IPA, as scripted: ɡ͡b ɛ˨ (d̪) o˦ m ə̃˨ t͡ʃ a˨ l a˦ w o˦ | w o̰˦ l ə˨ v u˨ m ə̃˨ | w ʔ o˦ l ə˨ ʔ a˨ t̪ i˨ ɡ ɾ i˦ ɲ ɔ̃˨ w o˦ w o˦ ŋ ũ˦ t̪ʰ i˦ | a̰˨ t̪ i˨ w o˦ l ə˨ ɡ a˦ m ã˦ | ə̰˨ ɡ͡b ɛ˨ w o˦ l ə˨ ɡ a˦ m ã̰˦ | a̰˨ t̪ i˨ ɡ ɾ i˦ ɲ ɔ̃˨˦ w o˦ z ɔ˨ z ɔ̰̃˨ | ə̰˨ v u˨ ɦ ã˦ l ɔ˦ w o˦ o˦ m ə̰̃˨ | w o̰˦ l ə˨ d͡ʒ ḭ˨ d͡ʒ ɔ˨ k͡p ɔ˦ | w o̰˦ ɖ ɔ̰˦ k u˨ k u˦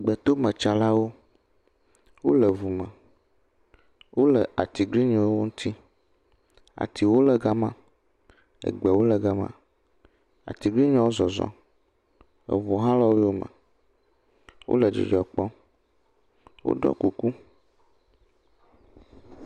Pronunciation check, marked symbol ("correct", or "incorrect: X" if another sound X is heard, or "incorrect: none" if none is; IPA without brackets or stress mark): incorrect: t̪